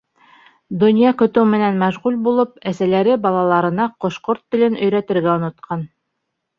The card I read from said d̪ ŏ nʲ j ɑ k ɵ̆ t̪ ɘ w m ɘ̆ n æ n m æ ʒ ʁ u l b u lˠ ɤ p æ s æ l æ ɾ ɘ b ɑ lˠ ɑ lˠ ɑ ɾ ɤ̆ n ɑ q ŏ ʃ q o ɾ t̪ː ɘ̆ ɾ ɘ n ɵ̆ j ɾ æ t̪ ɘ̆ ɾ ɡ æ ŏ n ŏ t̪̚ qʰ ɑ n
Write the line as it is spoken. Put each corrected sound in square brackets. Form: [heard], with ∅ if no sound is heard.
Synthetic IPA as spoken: d̪ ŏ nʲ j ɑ k ɵ̆ t̪ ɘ w m ɘ̆ n æ n m æ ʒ ʁ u l b u lˠ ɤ p æ s æ l æ ɾ ɘ b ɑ lˠ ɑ lˠ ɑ ɾ ɤ̆ n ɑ q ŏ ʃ q o ɾ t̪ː ɘ̆ [l] ɘ n ɵ̆ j ɾ æ t̪ ɘ̆ ɾ ɡ æ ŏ n ŏ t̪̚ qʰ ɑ n